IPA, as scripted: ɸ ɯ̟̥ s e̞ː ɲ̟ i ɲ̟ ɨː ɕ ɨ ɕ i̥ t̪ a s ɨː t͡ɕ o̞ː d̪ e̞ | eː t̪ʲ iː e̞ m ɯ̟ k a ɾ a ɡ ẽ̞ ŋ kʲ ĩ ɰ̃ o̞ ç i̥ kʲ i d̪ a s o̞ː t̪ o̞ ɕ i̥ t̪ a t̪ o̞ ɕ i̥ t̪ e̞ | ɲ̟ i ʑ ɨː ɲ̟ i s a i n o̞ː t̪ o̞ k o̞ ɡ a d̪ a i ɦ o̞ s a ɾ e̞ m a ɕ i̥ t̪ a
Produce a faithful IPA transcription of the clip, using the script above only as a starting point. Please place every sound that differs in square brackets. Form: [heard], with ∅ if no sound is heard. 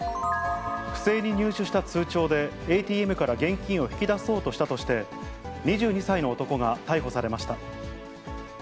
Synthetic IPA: ɸ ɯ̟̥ s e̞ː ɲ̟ i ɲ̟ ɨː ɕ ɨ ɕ i̥ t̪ a [t͡s] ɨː t͡ɕ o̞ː d̪ e̞ | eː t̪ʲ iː e̞ m ɯ̟ k a ɾ a ɡ ẽ̞ ŋ kʲ ĩ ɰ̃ o̞ ç i̥ kʲ i d̪ a s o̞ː t̪ o̞ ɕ i̥ t̪ a t̪ o̞ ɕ i̥ t̪ e̞ | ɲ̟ i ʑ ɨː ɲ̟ i s a i n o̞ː t̪ o̞ k o̞ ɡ a [t̪] a i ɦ o̞ s a ɾ e̞ m a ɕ i̥ t̪ a